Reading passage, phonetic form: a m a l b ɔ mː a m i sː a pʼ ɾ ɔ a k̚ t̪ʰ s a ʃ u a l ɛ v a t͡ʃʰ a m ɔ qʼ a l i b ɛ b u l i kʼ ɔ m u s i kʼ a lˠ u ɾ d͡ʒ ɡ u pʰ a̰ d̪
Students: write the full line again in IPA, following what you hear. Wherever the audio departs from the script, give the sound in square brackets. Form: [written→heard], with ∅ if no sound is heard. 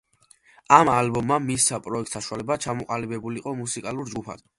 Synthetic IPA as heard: a m a l b ɔ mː a m i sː a pʼ ɾ ɔ [a→ɛ] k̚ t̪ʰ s a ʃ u a l ɛ [v→b] a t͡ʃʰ a m ɔ qʼ a l i b ɛ b u l i [kʼ→qʼ] ɔ m u s i kʼ a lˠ u ɾ d͡ʒ ɡ u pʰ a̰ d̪

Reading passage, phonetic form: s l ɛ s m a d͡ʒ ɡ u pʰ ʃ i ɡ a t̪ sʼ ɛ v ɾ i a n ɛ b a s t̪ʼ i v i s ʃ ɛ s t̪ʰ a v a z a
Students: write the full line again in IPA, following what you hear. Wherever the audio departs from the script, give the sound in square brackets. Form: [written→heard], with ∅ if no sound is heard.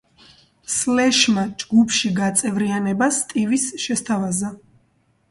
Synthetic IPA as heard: s l ɛ [s→ʃ] m a d͡ʒ ɡ u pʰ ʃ i ɡ a t̪ sʼ ɛ v ɾ i a n ɛ b a s t̪ʼ i v i s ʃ ɛ s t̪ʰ a v a z a

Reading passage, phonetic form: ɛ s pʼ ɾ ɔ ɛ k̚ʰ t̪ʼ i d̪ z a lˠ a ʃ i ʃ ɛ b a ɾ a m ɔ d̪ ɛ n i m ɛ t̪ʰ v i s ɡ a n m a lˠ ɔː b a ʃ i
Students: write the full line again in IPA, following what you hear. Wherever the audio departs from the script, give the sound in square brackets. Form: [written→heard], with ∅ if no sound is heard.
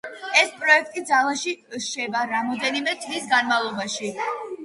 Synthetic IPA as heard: ɛ s pʼ ɾ ɔ ɛ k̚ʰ t̪ʼ i d̪ z a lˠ a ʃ i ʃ ɛ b a ɾ a m ɔ d̪ ɛ n i m ɛ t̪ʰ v i s ɡ a n m a lˠ [ɔː→ɔ] b a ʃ i

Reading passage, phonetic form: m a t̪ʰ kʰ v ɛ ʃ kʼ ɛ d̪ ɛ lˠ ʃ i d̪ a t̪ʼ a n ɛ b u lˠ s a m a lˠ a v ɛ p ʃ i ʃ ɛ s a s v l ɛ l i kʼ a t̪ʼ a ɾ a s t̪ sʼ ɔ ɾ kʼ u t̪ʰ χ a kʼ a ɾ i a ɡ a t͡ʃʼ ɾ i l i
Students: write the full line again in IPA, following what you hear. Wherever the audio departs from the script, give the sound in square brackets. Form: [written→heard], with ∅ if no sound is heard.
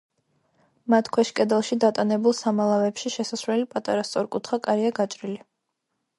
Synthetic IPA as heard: m a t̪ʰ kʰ [v→w] ɛ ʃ kʼ ɛ d̪ ɛ lˠ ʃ i d̪ a t̪ʼ a n ɛ b u lˠ s a m a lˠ a v ɛ p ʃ i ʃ ɛ s a s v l ɛ l i [kʼ→pʼ] a t̪ʼ a ɾ a s t̪ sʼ ɔ ɾ kʼ u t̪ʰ χ a kʼ a ɾ i a ɡ a t͡ʃʼ ɾ i l i

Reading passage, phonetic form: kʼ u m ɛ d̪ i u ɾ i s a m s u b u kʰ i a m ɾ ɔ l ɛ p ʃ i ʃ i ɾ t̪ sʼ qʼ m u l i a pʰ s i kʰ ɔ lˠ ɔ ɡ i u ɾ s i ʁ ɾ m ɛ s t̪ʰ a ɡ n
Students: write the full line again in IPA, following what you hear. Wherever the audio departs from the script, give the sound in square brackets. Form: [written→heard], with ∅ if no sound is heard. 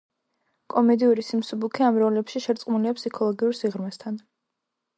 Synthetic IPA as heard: kʼ [u→ɔ] m ɛ d̪ i u ɾ i s [a→i] m s u b u kʰ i a m ɾ ɔ l ɛ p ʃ i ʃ [i→ɛ] ɾ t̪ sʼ qʼ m u l i a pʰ s i kʰ ɔ lˠ ɔ ɡ i u ɾ s i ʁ ɾ m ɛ s t̪ʰ a [ɡ→∅] n

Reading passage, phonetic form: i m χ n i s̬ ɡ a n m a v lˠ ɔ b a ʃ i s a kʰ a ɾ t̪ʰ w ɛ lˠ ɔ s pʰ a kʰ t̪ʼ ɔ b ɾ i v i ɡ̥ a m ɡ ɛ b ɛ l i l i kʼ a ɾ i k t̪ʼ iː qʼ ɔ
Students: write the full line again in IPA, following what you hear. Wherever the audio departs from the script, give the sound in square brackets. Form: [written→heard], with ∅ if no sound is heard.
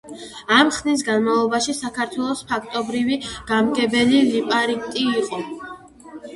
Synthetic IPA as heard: [i→a] m χ n i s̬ ɡ a n m a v lˠ ɔ b a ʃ i s a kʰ a ɾ t̪ʰ w ɛ lˠ ɔ s pʰ a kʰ t̪ʼ ɔ b ɾ i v i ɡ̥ a m ɡ ɛ b ɛ l i l i [kʼ→pʼ] a ɾ i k t̪ʼ iː qʼ ɔ

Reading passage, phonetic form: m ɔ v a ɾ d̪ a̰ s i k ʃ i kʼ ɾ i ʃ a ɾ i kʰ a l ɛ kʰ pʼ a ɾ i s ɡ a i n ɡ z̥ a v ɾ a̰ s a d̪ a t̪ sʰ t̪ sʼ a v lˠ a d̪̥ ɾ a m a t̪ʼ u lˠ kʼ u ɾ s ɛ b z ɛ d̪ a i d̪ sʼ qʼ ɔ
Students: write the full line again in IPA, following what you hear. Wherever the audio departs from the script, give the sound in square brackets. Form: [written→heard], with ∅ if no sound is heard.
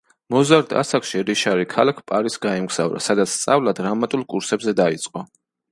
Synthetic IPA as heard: m ɔ [v→z] a ɾ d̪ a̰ s [i→a] k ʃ i [kʼ→∅] ɾ i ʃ a ɾ i kʰ a l [ɛ→a] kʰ pʼ a ɾ i s ɡ a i [n→m] ɡ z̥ a v ɾ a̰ s a d̪ a t̪ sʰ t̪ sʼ a v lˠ a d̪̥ ɾ a m a t̪ʼ u lˠ kʼ u ɾ s ɛ b z ɛ d̪ a i [d̪→t̪] sʼ qʼ ɔ

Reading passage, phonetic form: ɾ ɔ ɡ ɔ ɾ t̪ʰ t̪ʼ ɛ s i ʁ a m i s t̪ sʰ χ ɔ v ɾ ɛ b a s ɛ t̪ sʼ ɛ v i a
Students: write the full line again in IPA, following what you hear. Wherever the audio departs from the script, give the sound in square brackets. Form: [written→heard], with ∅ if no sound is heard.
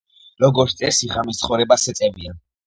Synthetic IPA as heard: ɾ ɔ ɡ ɔ ɾ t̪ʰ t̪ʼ ɛ s i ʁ a m i s t̪ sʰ χ ɔ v ɾ ɛ b a s ɛ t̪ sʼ ɛ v i a

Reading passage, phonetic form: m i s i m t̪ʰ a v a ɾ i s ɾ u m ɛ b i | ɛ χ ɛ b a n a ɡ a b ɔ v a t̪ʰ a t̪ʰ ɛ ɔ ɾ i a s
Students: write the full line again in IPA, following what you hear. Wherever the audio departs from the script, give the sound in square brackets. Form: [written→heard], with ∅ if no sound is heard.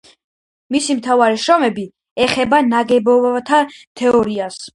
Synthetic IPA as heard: m i s i m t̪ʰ a v a ɾ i [s→ʃ] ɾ [u→ɔ] m ɛ b i | ɛ χ ɛ b a n a ɡ [a→ɛ] b ɔ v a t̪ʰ a t̪ʰ ɛ ɔ ɾ i a s

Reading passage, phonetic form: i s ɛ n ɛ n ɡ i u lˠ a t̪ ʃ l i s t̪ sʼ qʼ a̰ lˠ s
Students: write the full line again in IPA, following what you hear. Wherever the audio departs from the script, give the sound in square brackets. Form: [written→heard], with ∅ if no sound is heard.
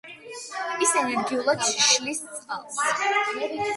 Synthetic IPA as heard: i s ɛ n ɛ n ɡ i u lˠ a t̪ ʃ l i s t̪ sʼ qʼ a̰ lˠ s

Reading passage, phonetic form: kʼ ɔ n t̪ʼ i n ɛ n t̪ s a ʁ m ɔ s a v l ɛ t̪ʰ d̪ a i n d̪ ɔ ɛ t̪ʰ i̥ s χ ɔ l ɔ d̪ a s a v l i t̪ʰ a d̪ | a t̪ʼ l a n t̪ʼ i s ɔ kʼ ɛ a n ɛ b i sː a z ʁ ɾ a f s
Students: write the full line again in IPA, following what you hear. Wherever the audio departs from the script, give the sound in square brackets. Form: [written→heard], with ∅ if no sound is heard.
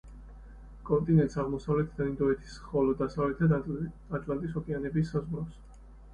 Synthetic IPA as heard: kʼ ɔ n t̪ʼ i n ɛ n t̪ s a ʁ m ɔ s a v l ɛ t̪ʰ d̪ a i n d̪ ɔ ɛ t̪ʰ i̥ s χ ɔ l ɔ d̪ a s a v l [i→ɛ] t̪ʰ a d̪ | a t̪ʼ l a n t̪ʼ i s ɔ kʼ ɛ a n ɛ b i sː a z ʁ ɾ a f s

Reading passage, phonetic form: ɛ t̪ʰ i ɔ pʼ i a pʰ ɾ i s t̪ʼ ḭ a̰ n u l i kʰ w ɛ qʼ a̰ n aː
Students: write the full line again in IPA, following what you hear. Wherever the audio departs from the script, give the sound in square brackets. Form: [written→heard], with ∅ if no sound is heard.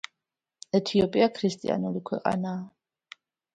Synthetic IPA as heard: ɛ t̪ʰ i ɔ pʼ i a [pʰ→kʰ] ɾ i s t̪ʼ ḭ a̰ n u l i kʰ w ɛ qʼ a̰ n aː

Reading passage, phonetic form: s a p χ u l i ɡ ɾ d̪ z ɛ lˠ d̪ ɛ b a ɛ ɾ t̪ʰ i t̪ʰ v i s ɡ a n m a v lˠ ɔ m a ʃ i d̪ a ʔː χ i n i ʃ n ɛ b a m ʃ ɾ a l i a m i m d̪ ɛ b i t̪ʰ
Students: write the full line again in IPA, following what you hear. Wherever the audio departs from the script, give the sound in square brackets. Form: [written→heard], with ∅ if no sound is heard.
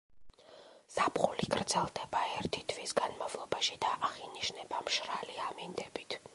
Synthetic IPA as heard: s a p χ u l i ɡ ɾ d̪ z ɛ lˠ d̪ ɛ b a ɛ ɾ t̪ʰ i t̪ʰ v i s ɡ a n m a v lˠ ɔ [m→b] a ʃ i d̪ a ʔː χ i n i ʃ n ɛ b a m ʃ ɾ a l i a m i [m→n] d̪ ɛ b i t̪ʰ

